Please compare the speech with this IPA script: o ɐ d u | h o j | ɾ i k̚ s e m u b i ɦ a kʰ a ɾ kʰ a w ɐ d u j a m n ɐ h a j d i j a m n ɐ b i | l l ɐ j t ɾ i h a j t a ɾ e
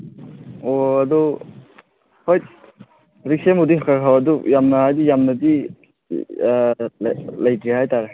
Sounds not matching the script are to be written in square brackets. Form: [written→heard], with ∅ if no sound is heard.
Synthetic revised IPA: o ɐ d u | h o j | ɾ i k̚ s e m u [b→d] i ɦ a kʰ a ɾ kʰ a w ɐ d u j a m n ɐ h a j d i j a m n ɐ [b→d] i | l l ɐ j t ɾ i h a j t a ɾ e